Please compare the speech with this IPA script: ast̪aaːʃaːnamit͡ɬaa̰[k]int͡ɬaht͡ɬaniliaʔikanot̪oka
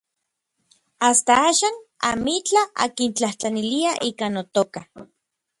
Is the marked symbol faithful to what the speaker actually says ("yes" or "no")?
yes